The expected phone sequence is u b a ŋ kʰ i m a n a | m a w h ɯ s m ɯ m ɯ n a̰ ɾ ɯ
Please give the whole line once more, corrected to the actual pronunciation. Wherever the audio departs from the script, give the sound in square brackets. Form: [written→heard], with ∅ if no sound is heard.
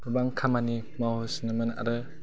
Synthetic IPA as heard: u b a ŋ kʰ [i→a] m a n [a→i] | m a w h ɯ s [m→n] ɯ m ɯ n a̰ ɾ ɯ